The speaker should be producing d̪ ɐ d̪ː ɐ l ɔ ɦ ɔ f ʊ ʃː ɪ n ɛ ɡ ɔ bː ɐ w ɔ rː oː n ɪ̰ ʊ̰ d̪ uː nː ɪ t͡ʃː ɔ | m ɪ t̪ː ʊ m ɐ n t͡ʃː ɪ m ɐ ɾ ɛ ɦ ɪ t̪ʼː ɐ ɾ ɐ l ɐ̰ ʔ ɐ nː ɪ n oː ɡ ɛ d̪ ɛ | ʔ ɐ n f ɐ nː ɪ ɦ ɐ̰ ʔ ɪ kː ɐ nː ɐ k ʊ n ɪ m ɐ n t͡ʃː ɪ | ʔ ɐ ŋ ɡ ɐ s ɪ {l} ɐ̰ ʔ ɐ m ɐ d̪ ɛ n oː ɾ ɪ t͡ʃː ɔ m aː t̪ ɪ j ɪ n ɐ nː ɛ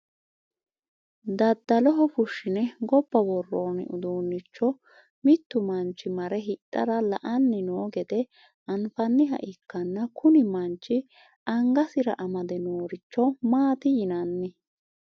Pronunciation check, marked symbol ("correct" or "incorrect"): incorrect